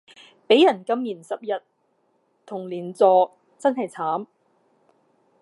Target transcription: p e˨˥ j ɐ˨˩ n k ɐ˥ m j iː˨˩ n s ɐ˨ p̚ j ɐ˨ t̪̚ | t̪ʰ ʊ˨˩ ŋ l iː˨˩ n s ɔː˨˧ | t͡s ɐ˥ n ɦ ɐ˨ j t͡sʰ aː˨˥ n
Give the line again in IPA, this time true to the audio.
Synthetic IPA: p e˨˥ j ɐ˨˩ n k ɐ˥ m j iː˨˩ n s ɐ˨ p̚ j ɐ˨ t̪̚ | t̪ʰ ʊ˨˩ ŋ l iː˨˩ n t͡s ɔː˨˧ | t͡s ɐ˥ n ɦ ɐ˨ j t͡sʰ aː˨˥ m